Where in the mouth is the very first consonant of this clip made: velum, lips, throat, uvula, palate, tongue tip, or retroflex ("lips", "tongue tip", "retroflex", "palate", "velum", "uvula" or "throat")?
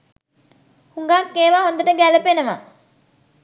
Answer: throat